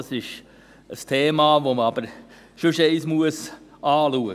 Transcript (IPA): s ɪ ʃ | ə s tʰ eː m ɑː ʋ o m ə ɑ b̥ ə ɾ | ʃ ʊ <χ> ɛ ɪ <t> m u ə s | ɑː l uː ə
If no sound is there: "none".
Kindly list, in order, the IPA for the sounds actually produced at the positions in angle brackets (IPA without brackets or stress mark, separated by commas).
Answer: ʃ, s